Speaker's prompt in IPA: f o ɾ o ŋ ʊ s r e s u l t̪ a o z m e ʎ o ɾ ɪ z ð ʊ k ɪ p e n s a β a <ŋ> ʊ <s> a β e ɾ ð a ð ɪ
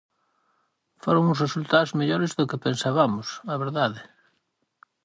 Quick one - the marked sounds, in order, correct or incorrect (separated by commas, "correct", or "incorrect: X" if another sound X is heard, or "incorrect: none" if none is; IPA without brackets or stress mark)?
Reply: incorrect: m, correct